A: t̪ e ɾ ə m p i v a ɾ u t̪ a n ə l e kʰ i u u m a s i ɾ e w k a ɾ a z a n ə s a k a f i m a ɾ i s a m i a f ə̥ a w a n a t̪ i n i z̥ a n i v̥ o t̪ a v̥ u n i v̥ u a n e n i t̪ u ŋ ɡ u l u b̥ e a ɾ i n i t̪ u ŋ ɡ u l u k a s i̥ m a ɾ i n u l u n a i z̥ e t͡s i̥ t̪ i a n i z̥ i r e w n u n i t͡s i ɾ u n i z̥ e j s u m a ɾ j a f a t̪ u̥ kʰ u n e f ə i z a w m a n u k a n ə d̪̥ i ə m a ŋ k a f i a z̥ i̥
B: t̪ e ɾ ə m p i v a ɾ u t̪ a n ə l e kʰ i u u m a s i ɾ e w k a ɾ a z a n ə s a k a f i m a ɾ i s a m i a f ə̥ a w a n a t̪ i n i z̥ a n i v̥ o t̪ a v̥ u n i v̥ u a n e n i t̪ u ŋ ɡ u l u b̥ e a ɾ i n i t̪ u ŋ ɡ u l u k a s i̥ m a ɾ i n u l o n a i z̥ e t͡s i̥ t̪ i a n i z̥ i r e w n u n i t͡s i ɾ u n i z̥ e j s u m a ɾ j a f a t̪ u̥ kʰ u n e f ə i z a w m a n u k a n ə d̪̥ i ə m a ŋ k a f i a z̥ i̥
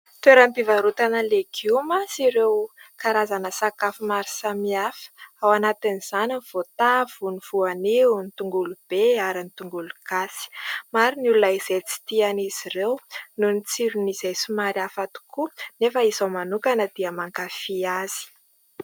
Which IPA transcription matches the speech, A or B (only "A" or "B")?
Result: A